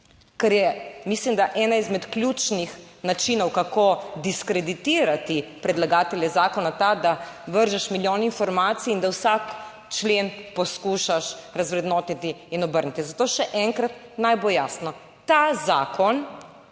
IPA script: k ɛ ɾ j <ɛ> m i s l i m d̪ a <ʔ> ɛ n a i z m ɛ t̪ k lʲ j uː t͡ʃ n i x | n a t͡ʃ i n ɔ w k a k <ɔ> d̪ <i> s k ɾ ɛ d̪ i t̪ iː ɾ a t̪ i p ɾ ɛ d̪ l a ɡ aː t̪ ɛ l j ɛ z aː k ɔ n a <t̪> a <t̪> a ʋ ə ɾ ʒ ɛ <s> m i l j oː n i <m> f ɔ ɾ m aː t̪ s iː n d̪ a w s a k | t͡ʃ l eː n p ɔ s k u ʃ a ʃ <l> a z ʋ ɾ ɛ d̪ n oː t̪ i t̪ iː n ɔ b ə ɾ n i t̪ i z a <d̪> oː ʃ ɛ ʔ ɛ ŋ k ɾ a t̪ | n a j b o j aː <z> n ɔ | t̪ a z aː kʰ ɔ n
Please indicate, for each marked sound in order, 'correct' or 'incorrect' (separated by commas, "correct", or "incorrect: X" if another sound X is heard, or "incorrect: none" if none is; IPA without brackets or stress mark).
correct, correct, incorrect: o, correct, correct, incorrect: d̪, incorrect: ʃ, incorrect: n, incorrect: ɾ, incorrect: t̪, incorrect: s